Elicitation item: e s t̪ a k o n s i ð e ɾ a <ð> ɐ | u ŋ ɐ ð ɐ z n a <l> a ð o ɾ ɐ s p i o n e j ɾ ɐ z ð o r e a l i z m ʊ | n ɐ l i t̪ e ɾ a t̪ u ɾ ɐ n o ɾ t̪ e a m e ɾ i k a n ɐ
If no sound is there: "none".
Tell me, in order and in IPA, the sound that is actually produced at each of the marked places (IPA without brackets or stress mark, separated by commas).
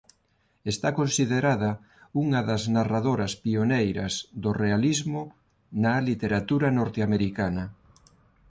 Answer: ð, r